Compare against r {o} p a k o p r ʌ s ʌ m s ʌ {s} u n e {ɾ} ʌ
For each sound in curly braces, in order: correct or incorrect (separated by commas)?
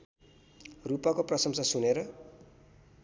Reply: incorrect, correct, correct